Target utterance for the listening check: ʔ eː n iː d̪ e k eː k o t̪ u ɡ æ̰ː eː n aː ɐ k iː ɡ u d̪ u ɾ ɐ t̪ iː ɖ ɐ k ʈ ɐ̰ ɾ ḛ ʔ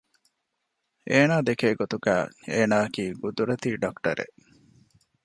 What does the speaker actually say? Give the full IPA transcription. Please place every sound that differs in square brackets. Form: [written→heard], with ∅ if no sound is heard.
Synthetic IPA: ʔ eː n [iː→aː] d̪ e k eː [k→ɡ] o t̪ u ɡ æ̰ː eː n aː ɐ k iː ɡ u d̪ u ɾ ɐ t̪ iː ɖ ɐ k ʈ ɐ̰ ɾ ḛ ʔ